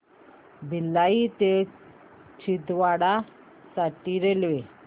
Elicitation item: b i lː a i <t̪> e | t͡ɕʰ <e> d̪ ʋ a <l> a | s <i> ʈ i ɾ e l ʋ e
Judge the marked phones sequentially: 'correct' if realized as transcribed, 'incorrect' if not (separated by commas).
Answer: correct, incorrect, incorrect, incorrect